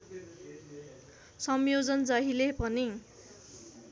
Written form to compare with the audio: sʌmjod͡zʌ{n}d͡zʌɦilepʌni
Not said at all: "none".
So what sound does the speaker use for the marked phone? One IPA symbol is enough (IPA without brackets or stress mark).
n